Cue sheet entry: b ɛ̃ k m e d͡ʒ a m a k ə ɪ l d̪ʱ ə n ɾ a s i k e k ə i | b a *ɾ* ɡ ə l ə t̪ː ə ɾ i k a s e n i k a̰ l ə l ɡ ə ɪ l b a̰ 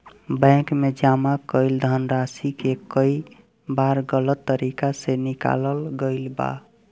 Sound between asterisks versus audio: correct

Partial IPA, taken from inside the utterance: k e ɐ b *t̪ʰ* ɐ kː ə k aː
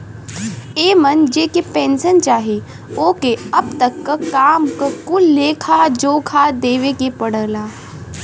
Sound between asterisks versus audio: incorrect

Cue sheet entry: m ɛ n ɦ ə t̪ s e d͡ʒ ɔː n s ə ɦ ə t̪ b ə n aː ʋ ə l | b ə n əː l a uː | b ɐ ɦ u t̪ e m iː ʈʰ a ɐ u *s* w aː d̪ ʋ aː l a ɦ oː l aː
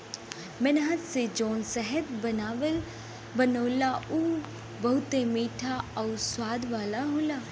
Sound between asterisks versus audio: correct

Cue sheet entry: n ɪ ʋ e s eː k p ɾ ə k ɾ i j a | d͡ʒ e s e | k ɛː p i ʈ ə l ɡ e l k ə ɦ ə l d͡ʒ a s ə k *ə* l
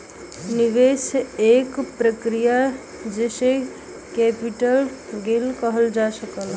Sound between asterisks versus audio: correct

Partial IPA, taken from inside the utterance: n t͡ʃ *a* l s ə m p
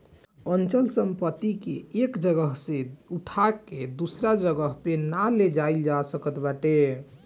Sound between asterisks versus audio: incorrect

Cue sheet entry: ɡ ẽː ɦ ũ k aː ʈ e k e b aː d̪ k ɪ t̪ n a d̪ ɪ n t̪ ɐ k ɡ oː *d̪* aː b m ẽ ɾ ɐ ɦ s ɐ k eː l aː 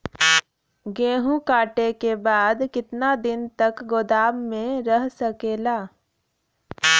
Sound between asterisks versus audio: correct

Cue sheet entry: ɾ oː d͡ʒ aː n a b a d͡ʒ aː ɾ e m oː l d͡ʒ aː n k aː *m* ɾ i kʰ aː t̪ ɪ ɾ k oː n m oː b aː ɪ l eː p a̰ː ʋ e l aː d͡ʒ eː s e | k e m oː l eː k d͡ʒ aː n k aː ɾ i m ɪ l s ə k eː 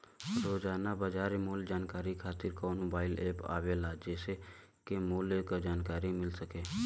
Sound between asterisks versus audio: incorrect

